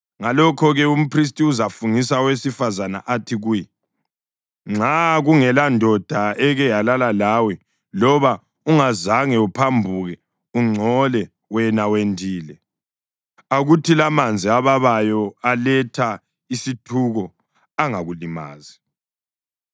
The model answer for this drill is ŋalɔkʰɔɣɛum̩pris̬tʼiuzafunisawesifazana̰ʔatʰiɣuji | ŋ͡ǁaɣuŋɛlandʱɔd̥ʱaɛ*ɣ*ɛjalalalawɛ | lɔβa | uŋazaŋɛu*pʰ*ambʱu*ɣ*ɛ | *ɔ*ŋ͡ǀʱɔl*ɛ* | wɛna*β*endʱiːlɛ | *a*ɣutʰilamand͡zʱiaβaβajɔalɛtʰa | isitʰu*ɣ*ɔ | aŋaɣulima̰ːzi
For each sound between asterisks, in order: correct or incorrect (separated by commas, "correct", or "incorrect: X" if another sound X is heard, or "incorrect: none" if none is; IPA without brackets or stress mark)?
correct, correct, correct, incorrect: u, correct, incorrect: w, correct, correct